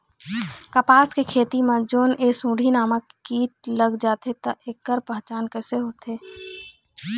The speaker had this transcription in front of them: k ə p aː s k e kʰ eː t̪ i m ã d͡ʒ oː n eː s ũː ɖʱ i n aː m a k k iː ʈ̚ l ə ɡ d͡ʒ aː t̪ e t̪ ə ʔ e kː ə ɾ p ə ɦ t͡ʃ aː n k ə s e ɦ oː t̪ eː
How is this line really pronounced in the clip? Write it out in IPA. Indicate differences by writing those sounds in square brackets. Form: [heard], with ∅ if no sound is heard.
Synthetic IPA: k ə p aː s k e kʰ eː t̪ i m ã d͡ʒ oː n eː s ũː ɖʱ i n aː m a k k iː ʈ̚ l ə ɡ d͡ʒ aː t̪ e t̪ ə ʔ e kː ə ɾ p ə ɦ t͡ʃ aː n k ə s e ɦ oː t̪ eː